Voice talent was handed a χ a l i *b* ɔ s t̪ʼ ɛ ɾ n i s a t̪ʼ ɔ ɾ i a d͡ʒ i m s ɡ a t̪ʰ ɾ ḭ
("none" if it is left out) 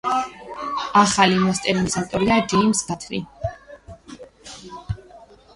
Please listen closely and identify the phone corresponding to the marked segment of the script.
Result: m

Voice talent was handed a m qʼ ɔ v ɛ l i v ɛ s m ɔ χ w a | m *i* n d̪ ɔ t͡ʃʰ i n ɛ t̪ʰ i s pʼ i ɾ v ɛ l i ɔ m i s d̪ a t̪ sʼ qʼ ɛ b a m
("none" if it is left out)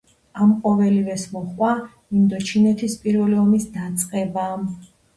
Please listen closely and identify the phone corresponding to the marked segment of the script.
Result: i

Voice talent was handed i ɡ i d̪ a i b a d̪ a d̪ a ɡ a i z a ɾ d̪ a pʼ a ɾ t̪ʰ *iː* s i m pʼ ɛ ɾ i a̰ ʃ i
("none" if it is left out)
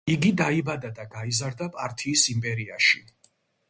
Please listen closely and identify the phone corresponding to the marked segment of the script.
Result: iː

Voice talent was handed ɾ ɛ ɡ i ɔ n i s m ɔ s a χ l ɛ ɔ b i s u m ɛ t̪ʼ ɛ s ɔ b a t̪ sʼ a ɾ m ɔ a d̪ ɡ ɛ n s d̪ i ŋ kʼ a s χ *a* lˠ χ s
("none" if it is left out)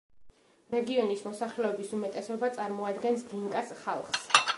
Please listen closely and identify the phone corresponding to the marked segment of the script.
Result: a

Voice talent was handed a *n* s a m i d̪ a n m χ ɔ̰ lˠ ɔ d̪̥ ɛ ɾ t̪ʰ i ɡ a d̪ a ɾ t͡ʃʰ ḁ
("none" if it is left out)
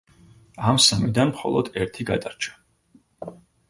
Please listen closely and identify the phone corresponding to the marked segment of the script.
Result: m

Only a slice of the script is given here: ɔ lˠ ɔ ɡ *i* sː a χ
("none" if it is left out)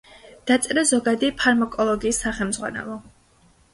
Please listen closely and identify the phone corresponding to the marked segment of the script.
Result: iː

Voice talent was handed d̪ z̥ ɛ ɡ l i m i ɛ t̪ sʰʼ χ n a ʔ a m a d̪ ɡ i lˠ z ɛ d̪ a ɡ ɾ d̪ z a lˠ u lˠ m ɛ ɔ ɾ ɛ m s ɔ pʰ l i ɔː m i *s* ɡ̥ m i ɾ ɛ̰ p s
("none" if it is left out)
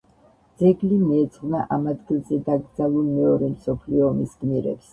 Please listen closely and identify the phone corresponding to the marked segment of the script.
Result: s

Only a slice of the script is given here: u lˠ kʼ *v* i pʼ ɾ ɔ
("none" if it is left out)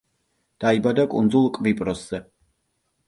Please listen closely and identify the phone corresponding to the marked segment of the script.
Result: v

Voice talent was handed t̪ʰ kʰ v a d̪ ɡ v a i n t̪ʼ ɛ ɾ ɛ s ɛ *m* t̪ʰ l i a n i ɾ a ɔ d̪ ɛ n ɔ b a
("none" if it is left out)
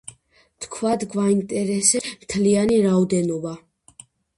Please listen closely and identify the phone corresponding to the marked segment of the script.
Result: m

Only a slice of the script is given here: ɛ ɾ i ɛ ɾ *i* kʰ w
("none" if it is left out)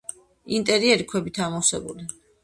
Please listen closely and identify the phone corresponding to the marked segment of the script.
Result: i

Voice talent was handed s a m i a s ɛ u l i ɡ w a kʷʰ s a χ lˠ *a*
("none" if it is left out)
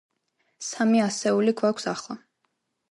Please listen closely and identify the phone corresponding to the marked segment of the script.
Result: a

